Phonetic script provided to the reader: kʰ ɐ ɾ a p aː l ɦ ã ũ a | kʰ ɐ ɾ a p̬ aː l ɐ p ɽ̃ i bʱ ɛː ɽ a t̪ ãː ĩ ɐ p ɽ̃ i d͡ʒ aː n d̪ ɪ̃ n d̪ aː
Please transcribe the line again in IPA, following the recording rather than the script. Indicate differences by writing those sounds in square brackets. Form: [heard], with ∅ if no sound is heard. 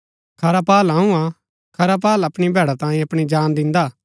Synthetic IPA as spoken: kʰ ɐ ɾ a p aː l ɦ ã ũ a | kʰ ɐ ɾ a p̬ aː l ɐ p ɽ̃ i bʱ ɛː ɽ a t̪ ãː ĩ ɐ p ɽ̃ i d͡ʒ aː n d̪ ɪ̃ n d̪ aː